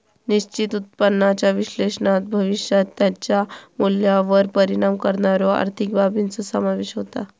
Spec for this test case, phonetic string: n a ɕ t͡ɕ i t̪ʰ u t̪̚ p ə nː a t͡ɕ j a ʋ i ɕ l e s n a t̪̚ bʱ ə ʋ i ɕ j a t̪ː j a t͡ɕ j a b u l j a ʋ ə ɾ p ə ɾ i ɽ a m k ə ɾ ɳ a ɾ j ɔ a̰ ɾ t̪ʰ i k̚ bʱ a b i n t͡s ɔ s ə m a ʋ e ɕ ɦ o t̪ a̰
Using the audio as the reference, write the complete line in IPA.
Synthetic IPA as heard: n i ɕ t͡ɕ i t̪ u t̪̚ p ə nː a t͡ɕ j a ʋ i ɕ l e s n a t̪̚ bʱ ə ʋ i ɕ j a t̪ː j a t͡ɕ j a m u l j a ʋ ə ɾ p ə ɾ i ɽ a m k ə ɾ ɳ a ɾ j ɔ a̰ ɾ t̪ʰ i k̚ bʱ a b i n t͡s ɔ s ə m a ʋ e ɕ ɦ o t̪ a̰